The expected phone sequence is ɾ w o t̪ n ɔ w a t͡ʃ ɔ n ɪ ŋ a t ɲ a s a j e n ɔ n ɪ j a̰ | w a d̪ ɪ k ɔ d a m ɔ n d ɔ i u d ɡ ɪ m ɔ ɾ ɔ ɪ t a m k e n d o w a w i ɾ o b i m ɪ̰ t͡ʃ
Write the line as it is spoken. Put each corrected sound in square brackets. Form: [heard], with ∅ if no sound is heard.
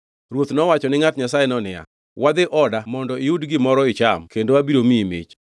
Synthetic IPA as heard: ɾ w o t̪ n ɔ w a t͡ʃ ɔ n ɪ ŋ a t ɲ a s a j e n ɔ n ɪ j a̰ | w a d̪ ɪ [ʔ] ɔ d a m ɔ n d ɔ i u d ɡ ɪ m ɔ ɾ ɔ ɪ [t͡ʃ] a m k e n d o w a [b] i ɾ o [m] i m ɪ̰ t͡ʃ